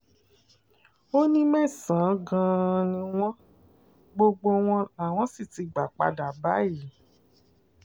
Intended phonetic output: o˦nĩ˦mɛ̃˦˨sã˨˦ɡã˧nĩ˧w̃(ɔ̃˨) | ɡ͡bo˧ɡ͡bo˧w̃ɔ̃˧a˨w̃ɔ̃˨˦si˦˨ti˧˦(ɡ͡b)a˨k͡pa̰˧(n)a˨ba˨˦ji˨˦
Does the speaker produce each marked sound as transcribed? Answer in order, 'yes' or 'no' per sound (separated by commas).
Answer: no, yes, no